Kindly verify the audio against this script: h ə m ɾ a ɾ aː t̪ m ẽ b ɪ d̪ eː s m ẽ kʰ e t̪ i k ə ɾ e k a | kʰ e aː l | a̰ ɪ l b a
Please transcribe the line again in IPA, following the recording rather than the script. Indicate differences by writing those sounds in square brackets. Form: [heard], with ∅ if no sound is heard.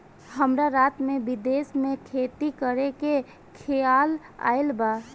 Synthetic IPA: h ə m ɾ a ɾ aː t̪ m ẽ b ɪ d̪ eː s m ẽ kʰ e t̪ i k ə ɾ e k [e] | kʰ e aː l | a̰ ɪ l b a